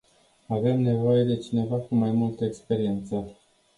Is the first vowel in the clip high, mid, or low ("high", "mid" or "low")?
low